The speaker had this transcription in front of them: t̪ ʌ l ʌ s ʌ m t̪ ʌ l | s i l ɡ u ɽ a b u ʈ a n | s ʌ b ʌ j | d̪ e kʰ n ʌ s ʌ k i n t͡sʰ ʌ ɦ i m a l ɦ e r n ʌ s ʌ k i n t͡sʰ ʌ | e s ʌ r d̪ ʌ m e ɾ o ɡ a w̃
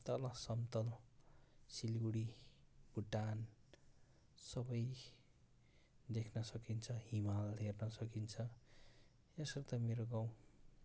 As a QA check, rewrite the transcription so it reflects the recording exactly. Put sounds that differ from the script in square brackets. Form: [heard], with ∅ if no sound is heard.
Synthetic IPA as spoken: t̪ ʌ l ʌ s ʌ m t̪ ʌ l | s i l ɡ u ɽ [i] b u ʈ a n | s ʌ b ʌ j | d̪ e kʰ n ʌ s ʌ k i n t͡sʰ ʌ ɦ i m a l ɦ e r n ʌ s ʌ k i n t͡sʰ ʌ | e s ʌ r [t̪] ʌ m e ɾ o ɡ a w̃

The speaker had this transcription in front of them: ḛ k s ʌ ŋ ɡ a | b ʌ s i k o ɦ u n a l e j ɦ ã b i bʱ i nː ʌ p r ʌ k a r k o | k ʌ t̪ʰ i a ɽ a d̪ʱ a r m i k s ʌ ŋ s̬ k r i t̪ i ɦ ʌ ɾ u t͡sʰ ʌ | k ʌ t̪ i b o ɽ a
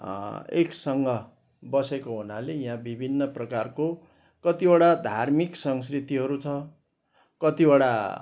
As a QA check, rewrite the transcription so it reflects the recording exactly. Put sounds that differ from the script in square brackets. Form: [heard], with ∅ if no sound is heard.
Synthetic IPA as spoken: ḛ k s ʌ ŋ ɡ [ʌ] | b ʌ s [e] k o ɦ u n a l e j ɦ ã b i bʱ i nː ʌ p r ʌ k a r k o | k ʌ [t̪] i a ɽ a d̪ʱ a r m i k s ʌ ŋ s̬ k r i t̪ i ɦ ʌ ɾ u t͡sʰ ʌ | k ʌ t̪ i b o ɽ a

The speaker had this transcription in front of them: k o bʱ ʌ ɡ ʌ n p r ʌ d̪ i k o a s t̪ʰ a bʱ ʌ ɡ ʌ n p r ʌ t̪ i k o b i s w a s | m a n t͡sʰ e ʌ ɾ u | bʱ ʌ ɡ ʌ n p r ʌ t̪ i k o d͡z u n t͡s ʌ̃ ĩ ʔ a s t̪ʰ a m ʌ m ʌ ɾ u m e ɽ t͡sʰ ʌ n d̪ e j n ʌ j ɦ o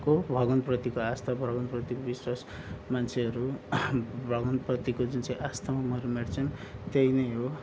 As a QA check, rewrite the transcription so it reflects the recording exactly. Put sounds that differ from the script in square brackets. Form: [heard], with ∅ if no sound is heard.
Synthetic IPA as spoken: k o bʱ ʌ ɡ ʌ n p r ʌ [t̪] i k o a s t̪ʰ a bʱ ʌ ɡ ʌ n p r ʌ t̪ i k o b i s w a s | m a n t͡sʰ e ʌ ɾ u | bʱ ʌ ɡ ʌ n p r ʌ t̪ i k o d͡z u n t͡s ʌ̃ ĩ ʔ a s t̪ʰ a m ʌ m ʌ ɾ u m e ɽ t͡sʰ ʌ n [t̪] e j n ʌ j ɦ o

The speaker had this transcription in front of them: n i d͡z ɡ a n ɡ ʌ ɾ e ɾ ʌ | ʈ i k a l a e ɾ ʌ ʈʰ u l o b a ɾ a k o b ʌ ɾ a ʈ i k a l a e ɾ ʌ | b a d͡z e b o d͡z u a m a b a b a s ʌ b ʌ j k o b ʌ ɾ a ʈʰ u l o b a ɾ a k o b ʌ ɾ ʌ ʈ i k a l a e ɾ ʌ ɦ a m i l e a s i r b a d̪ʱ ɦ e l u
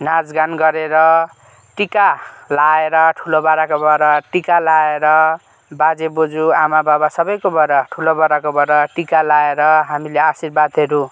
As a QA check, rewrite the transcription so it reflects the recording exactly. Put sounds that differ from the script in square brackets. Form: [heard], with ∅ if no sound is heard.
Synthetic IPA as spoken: n [a] d͡z ɡ a n ɡ ʌ ɾ e ɾ ʌ | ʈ i k a l a e ɾ ʌ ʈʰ u l o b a ɾ a k o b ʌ ɾ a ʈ i k a l a e ɾ ʌ | b a d͡z e b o d͡z u a m a b a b a s ʌ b ʌ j k o b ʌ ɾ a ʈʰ u l o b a ɾ a k o b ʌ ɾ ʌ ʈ i k a l a e ɾ ʌ ɦ a m i l e a s i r b a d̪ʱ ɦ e [ɾ] u

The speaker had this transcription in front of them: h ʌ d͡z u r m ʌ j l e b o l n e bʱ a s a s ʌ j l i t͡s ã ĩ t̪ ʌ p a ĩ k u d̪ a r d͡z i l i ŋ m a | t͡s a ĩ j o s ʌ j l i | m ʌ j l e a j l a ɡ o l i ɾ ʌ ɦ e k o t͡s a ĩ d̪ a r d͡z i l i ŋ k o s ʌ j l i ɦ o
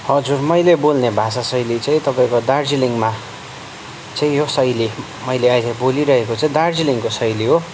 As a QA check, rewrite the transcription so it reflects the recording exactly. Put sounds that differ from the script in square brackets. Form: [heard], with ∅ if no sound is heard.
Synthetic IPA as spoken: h ʌ d͡z u r m ʌ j l e b o l n e bʱ a s a s ʌ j l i t͡s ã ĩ t̪ ʌ p a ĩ k [o] d̪ a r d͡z i l i ŋ m a | t͡s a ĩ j o s ʌ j l i | m ʌ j l e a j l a [b] o l i ɾ ʌ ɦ e k o t͡s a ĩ d̪ a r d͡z i l i ŋ k o s ʌ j l i ɦ o

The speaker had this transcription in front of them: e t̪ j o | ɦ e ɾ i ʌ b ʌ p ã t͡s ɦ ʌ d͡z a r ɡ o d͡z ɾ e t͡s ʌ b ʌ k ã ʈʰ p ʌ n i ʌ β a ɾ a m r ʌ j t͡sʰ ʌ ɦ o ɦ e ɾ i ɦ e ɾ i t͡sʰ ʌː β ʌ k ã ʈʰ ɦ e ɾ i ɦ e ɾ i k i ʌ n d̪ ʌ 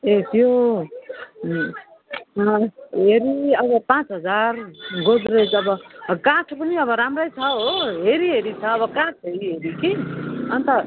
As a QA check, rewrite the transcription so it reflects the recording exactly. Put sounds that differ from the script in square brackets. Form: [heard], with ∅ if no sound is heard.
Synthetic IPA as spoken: e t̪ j o | ɦ e ɾ i ʌ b ʌ p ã t͡s ɦ ʌ d͡z a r ɡ o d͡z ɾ e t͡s ʌ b ʌ k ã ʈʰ p ʌ n i ʌ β [ʌ] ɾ a m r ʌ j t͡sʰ ʌ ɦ o ɦ e ɾ i ɦ e ɾ i t͡sʰ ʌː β ʌ k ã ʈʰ ɦ e ɾ i ɦ e ɾ i k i ʌ n [t̪] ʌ

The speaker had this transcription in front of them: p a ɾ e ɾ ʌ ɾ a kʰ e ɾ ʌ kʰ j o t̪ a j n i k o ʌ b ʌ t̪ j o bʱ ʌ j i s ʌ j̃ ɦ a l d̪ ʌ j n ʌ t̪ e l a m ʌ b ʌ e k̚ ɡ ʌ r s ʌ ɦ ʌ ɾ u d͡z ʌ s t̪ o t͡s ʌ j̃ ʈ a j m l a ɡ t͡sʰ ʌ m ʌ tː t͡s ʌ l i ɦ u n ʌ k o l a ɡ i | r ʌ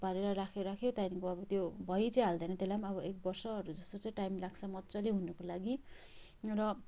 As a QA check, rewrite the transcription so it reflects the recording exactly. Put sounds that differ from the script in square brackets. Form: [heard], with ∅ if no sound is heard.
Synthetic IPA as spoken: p a ɾ e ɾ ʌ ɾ a kʰ e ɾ [a] kʰ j o t̪ a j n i k o ʌ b ʌ t̪ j o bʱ ʌ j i [t͡s] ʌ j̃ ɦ a l d̪ ʌ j n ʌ t̪ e l a m ʌ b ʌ e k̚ [b] ʌ r s ʌ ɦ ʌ ɾ u d͡z ʌ s t̪ o t͡s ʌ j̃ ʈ a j m l a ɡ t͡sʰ ʌ m ʌ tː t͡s ʌ l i ɦ u n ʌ k o l a ɡ i | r ʌ

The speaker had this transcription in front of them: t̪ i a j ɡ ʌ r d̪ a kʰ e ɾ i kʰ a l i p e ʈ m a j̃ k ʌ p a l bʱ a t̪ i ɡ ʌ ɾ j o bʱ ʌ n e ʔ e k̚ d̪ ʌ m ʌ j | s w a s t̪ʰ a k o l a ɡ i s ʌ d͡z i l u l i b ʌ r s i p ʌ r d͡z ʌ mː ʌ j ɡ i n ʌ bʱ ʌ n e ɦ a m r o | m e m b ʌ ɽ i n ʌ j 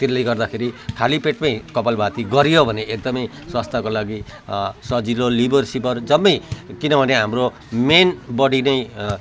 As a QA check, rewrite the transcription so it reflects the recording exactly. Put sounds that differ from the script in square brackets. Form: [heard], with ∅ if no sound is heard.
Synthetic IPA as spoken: t̪ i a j ɡ ʌ r d̪ a kʰ e ɾ i kʰ a l i p e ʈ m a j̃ k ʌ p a l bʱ a t̪ i ɡ ʌ ɾ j o bʱ ʌ n e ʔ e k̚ d̪ ʌ m ʌ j | s w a s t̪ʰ a k o l a ɡ i s ʌ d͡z i l [o] l i b ʌ r s i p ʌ r d͡z ʌ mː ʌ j [k] i n ʌ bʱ ʌ n e ɦ a m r o | m e [n] b ʌ ɽ i n ʌ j

